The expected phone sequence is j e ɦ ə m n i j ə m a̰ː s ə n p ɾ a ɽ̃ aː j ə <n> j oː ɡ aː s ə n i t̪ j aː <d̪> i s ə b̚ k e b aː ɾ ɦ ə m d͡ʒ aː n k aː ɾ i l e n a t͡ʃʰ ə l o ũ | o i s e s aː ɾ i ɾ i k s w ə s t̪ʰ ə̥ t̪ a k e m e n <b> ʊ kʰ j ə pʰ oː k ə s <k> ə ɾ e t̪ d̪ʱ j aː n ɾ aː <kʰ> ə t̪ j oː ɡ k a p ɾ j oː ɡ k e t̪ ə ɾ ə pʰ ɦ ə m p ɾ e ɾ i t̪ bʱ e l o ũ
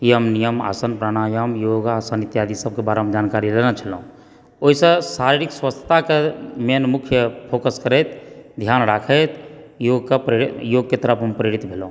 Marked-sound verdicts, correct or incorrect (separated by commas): incorrect, correct, incorrect, correct, correct